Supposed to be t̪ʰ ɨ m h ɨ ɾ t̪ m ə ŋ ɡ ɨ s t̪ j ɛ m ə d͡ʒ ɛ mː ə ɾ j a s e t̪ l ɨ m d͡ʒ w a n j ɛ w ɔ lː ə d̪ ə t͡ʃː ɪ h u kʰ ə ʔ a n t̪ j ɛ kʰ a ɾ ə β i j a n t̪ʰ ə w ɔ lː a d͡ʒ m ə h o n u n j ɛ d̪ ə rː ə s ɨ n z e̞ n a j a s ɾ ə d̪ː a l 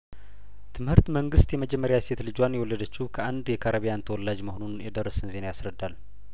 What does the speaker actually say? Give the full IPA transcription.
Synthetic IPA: t̪ʰ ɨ m h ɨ ɾ t̪ m ə ŋ ɡ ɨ s t̪ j ɛ m ə d͡ʒ ɛ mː ə ɾ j a s e t̪ l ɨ d͡ʒ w a n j ɛ w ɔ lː ə d̪ ə t͡ʃː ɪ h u kʰ ə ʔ a n d̪ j ɛ kʰ a ɾ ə β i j a n t̪ʰ ə w ɔ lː a d͡ʒ m ə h o n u n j ɛ d̪ ə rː ə s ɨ n z e̞ n a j a s ɾ ə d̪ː a l